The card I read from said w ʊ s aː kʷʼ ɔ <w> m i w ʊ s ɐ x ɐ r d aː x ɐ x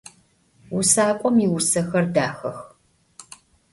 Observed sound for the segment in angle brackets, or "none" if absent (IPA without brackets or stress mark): none